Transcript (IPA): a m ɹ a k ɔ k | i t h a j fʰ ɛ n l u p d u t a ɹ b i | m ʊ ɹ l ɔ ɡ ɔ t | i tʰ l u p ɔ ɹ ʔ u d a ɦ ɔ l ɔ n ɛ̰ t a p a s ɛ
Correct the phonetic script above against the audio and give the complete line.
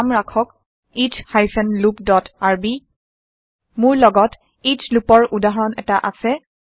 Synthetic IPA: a m ɹ a kʰ ɔ k | i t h a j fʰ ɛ n l u p d ɔ t a ɹ b i | m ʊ ɹ l ɔ ɡ ɔ t | i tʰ l u p ɔ ɹ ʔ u d a ɦ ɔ ɹ ɔ n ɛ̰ t a ʔ a s ɛ